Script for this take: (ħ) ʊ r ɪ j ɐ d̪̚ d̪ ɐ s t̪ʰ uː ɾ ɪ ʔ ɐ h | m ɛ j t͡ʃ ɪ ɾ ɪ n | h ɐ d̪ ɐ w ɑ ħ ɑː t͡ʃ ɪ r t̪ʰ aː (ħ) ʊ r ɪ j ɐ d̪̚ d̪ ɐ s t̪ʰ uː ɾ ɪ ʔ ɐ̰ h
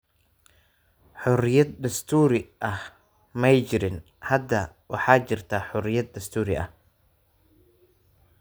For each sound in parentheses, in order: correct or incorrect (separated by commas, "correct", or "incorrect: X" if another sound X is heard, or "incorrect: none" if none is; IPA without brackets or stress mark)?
correct, correct